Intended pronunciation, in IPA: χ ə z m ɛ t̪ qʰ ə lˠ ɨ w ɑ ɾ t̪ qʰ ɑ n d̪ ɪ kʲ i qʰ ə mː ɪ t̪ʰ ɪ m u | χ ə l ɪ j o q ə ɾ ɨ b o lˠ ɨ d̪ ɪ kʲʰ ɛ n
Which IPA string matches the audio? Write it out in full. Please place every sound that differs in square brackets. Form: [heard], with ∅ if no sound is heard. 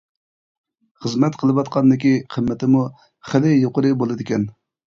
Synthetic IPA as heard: χ ə z m ɛ t̪ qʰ ə lˠ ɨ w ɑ [∅] t̪ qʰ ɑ n d̪ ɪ kʲ i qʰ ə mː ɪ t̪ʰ ɪ m u | χ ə l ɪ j o q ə ɾ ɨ b o lˠ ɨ d̪ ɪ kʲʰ ɛ n